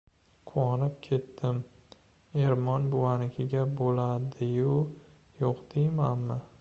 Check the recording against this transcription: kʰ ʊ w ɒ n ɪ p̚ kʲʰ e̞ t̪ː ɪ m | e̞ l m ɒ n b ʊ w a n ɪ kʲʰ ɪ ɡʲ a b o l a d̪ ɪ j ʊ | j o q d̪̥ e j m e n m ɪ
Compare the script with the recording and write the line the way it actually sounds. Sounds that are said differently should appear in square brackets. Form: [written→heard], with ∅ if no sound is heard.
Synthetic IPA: [kʰ→qʰ] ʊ w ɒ n ɪ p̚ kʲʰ e̞ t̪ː ɪ m | e̞ [l→ɾ] m ɒ n b ʊ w a n ɪ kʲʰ ɪ ɡʲ a b o l a d̪ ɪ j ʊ | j o q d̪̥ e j m [e→a] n m ɪ